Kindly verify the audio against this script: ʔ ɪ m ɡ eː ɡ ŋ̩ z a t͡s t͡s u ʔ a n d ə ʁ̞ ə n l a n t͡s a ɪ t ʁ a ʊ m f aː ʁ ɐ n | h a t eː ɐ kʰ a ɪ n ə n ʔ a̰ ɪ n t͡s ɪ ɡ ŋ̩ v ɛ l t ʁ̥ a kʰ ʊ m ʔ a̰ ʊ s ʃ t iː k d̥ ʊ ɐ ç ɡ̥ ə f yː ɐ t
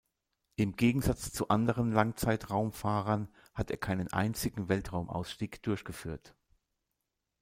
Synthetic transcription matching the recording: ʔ ɪ m ɡ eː ɡ ŋ̩ z a t͡s t͡s u ʔ a n d ə ʁ̞ ə n l a ŋ t͡s a ɪ t ʁ a ʊ m f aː ʁ ɐ n | h a t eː ɐ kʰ a ɪ n ə n ʔ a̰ ɪ n t͡s ɪ ɡ ŋ̩ v ɛ l t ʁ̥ a ʊ m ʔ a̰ ʊ s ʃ t iː k d̥ ʊ ɐ ç ɡ̥ ə f yː ɐ t

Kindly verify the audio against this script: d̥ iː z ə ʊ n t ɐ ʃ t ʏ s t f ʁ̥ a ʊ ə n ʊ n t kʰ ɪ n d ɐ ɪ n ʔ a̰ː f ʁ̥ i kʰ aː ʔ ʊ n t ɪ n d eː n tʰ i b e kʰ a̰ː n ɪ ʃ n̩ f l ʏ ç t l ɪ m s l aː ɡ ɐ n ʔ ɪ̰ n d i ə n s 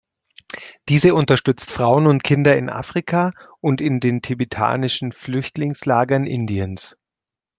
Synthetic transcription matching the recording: d̥ iː z ə ʊ n t ɐ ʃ t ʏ t͡s t f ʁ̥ a ʊ ə n ʊ n t kʰ ɪ n d ɐ ɪ n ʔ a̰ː f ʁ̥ i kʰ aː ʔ ʊ n t ɪ n d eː n tʰ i b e tʰ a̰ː n ɪ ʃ n̩ f l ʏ ç t l ɪ ŋ s l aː ɡ ɐ n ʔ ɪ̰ n d i ə n s

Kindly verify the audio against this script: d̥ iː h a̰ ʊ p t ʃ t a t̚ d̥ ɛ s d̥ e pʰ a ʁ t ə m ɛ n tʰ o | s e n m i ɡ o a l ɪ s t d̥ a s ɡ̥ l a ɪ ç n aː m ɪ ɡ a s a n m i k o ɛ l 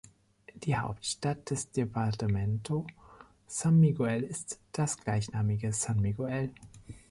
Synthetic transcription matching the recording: d̥ iː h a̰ ʊ p t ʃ t a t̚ d̥ ɛ s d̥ e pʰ a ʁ t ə m ɛ n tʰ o | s a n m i ɡ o ɛ l ɪ s t d̥ a s ɡ̥ l a ɪ ç n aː m ɪ ɡ ə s a n m i ɡ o ɛ l

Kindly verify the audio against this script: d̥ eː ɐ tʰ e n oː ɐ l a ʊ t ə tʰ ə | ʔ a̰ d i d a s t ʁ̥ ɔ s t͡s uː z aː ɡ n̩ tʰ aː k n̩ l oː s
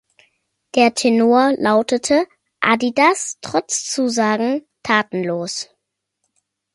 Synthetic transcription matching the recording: d̥ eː ɐ tʰ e n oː ɐ l a ʊ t ə tʰ ə | ʔ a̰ d i d a s t ʁ̥ ɔ t͡s t͡s uː z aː ɡ ŋ̩ tʰ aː t n̩ l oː s

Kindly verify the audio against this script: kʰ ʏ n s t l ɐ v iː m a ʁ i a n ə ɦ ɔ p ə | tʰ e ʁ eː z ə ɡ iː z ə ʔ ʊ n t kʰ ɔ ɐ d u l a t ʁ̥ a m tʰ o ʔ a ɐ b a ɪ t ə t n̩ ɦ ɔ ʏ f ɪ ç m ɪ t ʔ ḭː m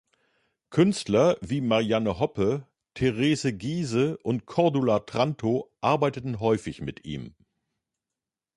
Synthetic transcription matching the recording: kʰ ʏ n s t l ɐ v iː m a ʁ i a n ə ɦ ɔ p ə | tʰ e ʁ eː z ə ɡ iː z ə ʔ ʊ n t kʰ ɔ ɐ d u l a t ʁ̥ a n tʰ o ʔ a ɐ b a ɪ t ə t n̩ ɦ ɔ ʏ f ɪ ç m ɪ t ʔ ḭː m

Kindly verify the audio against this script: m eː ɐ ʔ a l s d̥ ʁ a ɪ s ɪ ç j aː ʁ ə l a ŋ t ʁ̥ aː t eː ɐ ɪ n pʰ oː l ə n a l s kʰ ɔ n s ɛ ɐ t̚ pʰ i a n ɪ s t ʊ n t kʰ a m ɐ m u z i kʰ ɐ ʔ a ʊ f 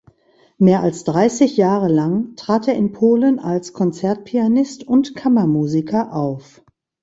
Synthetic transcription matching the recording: m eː ɐ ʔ a l s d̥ ʁ a ɪ s ɪ ç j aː ʁ ə l a ŋ t ʁ̥ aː t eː ɐ ɪ n pʰ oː l ə n a l s kʰ ɔ n t͡s ɛ ɐ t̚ pʰ i a n ɪ s t ʊ n t kʰ a m ɐ m uː z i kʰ ɐ ʔ a ʊ f

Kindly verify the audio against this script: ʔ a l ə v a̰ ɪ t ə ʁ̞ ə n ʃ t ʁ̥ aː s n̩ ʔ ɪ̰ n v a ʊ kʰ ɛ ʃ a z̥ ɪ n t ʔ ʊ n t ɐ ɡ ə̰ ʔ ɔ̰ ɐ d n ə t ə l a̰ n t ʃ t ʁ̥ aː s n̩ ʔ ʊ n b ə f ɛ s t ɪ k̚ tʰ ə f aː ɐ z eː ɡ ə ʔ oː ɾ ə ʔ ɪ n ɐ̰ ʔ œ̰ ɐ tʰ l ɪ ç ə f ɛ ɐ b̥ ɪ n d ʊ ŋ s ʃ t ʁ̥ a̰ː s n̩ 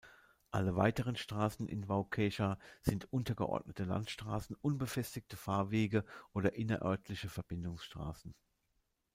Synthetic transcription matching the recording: ʔ a l ə v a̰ ɪ t ə ʁ̞ ə n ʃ t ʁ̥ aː s n̩ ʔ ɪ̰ n v a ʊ kʰ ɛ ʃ a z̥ ɪ n t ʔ ʊ n t ɐ ɡ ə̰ ʔ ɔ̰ ɐ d n ə t ə l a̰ n t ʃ t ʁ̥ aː s n̩ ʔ ʊ n b ə f ɛ s t ɪ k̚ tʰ ə f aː ɐ v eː ɡ ə ʔ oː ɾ ɐ ʔ ɪ n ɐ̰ ʔ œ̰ ɐ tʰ l ɪ ç ə f ɛ ɐ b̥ ɪ n d ʊ ŋ s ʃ t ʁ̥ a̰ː s n̩

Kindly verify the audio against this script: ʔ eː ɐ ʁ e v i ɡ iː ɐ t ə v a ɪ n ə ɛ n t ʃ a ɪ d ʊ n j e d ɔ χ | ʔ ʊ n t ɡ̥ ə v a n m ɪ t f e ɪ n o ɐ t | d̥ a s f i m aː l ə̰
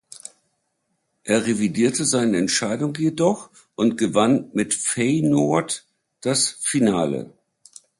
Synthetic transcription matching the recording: ʔ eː ɐ ʁ e v i d iː ɐ t ə z a ɪ n ə ɛ n t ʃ a ɪ d ʊ ŋ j e d ɔ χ | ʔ ʊ n t ɡ̥ ə v a n m ɪ t f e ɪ n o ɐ t | d̥ a s f i n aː l ə̰

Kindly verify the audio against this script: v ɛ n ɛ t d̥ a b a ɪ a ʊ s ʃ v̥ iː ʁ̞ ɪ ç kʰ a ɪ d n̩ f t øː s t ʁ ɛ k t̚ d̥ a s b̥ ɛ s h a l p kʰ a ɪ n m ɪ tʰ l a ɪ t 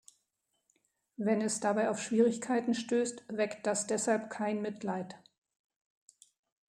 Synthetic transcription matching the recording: v ɛ n ɛ s d̥ a b a ɪ a ʊ f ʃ v̥ iː ʁ̞ ɪ ç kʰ a ɪ t n̩ ʃ t øː s t v ɛ k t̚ d̥ a s d̥ ɛ s h a l p kʰ a ɪ n m ɪ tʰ l a ɪ t

